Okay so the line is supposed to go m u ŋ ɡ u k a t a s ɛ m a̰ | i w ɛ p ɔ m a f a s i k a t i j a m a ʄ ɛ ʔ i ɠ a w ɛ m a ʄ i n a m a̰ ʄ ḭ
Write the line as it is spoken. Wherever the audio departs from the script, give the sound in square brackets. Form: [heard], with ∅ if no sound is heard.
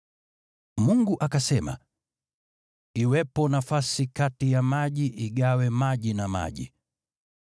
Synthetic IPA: m u ŋ ɡ u [ʔ] a [k] a s ɛ m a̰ | i w ɛ p ɔ [n] a f a s i k a t i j a m a ʄ [i] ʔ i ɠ a w ɛ m a ʄ i n a m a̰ ʄ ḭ